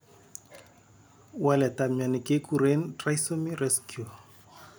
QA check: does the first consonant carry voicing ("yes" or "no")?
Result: yes